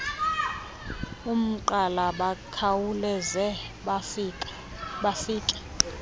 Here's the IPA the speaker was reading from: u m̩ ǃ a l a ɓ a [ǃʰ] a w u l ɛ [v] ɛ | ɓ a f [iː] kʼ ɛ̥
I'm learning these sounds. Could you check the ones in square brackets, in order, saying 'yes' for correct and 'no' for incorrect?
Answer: no, no, yes

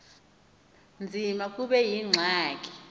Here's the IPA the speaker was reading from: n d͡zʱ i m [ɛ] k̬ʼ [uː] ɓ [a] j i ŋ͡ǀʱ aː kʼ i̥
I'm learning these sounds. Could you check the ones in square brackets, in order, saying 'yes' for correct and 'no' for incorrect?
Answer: no, no, no

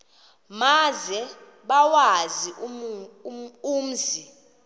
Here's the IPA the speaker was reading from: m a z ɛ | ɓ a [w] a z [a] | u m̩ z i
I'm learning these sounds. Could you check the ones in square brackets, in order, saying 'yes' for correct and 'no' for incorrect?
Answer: yes, no

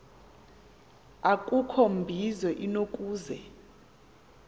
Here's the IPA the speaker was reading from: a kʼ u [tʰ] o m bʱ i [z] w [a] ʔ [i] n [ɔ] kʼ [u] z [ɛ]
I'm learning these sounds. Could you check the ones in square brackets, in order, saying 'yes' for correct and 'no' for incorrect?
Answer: no, yes, no, yes, no, no, yes

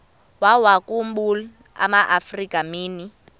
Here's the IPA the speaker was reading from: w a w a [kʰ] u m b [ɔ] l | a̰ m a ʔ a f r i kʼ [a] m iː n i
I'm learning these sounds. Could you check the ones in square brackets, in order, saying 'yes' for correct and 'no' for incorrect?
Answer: no, no, yes

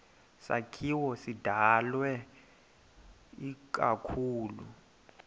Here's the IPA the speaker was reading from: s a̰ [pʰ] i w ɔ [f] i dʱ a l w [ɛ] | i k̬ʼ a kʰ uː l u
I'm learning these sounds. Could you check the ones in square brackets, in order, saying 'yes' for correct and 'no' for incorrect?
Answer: no, no, yes

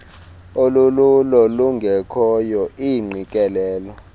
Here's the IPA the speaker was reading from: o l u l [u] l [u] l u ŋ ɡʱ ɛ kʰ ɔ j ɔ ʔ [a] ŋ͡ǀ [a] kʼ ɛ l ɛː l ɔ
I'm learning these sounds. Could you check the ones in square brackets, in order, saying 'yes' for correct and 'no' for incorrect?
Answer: yes, no, no, no

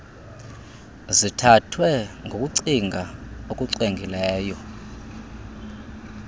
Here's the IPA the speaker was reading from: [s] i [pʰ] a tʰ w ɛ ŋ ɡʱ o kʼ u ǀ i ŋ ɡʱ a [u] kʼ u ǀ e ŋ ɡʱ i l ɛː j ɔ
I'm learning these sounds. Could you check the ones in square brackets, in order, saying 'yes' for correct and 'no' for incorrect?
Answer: no, no, no

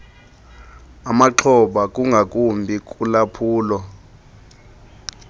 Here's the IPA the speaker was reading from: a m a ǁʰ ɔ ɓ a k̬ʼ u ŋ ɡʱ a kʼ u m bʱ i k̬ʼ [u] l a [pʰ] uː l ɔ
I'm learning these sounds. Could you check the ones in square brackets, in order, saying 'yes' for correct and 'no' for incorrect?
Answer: yes, yes

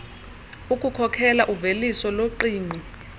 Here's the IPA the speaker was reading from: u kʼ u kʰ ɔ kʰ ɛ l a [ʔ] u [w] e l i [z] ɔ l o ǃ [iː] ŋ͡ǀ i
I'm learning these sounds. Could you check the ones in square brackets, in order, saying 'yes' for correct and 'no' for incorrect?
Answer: yes, no, no, yes

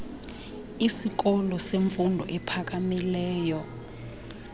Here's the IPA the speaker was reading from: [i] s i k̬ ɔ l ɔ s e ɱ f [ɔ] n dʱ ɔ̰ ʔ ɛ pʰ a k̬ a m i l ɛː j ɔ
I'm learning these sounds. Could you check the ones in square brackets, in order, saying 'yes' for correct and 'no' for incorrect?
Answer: yes, no

